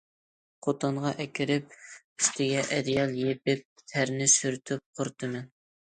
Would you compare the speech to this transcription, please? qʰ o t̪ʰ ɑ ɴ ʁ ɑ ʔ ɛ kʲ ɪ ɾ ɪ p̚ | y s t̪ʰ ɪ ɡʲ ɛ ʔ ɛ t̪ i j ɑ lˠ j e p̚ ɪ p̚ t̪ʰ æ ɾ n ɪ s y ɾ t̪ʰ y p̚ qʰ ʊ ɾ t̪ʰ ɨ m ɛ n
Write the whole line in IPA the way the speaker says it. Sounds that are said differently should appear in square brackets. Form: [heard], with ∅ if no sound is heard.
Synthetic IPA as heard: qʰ o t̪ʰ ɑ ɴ ʁ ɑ ʔ ɛ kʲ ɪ ɾ ɪ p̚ | y s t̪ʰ ɪ ɡʲ ɛ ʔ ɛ [d̪] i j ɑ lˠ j e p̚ ɪ p̚ t̪ʰ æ ɾ n ɪ s y ɾ t̪ʰ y p̚ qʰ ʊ ɾ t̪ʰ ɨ m ɛ n